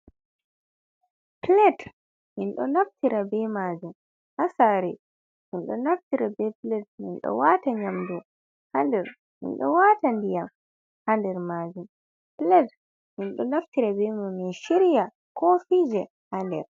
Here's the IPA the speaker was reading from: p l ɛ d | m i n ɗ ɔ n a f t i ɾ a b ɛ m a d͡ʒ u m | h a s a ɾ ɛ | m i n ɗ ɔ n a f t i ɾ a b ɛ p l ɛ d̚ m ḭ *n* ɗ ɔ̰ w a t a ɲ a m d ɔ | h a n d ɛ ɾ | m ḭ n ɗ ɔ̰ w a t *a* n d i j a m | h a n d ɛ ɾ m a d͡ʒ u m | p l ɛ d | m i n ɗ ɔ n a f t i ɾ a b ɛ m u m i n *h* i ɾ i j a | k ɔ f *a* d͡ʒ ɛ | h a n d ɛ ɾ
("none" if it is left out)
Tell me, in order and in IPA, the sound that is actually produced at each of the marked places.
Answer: n, a, ʃ, i

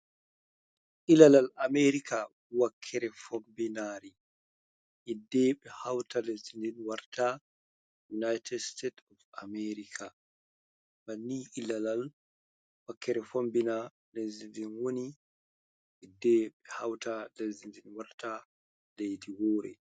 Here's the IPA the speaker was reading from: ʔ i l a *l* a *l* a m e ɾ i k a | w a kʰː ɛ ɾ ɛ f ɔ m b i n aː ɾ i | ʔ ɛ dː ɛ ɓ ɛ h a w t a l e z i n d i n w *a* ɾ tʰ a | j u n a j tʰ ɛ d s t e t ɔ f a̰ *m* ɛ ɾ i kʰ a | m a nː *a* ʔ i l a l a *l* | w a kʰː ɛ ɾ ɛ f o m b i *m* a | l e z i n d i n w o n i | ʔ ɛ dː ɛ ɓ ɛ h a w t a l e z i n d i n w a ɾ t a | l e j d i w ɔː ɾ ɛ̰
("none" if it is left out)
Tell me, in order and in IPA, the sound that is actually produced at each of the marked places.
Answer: l, l, a, m, i, l, n

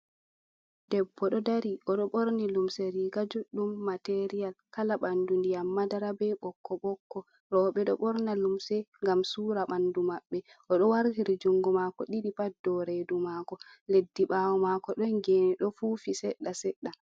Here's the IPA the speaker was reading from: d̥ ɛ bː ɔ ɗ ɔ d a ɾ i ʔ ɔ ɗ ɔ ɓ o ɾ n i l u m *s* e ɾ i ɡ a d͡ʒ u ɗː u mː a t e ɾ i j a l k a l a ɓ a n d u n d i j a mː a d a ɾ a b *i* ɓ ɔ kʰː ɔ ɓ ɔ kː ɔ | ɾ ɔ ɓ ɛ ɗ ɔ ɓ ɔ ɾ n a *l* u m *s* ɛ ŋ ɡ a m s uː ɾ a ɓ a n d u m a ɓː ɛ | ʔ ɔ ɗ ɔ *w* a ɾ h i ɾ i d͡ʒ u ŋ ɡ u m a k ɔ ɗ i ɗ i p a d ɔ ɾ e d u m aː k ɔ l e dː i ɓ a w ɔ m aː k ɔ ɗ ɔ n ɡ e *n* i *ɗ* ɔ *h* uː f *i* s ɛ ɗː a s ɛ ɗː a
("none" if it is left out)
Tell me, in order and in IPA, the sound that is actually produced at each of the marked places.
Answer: s, ɛ, l, s, w, n, ɗ, f, i

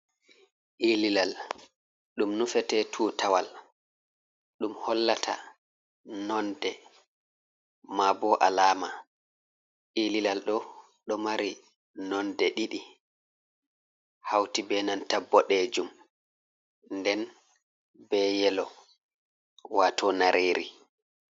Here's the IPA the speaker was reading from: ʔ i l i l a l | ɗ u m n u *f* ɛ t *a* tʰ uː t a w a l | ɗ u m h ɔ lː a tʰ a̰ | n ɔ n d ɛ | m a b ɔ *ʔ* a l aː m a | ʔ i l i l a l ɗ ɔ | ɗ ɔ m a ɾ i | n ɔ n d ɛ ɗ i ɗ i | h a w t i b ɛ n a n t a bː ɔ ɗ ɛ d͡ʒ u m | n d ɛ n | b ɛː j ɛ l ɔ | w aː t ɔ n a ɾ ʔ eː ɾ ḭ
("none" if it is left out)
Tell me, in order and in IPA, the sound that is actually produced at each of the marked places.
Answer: f, ɛ, ʔ

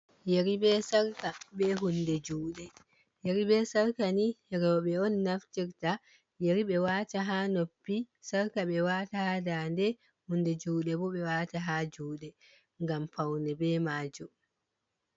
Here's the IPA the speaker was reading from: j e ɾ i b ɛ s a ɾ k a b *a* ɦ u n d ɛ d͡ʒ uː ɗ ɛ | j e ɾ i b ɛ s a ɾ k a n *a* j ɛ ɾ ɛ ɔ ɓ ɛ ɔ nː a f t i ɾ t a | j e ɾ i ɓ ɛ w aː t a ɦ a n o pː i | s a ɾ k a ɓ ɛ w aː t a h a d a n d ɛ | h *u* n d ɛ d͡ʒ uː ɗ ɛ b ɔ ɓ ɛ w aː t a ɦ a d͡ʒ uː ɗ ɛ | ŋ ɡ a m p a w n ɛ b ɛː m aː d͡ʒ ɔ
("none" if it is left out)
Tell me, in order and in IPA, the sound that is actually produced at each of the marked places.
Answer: ɛ, i, u

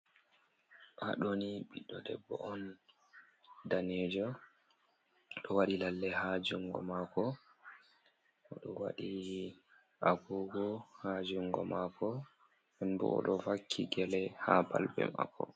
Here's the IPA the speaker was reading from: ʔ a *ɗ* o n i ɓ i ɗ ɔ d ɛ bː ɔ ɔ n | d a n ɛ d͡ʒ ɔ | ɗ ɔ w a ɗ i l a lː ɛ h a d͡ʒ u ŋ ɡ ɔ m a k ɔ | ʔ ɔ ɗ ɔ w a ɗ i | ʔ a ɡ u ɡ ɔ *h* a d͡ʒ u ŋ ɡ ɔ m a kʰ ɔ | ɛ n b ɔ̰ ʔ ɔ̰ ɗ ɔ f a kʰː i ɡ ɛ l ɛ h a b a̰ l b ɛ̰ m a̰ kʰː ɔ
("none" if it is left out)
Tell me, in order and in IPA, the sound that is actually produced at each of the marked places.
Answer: ɗ, h

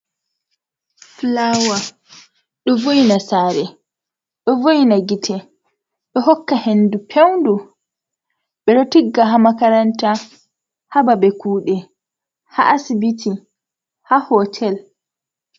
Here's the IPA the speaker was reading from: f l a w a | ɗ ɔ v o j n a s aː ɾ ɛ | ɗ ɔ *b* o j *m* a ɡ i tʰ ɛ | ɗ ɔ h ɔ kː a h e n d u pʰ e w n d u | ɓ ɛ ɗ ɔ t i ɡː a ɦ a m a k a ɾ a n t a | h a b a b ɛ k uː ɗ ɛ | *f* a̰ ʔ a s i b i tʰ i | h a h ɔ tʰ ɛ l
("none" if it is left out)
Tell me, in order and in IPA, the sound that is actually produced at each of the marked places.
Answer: v, n, h

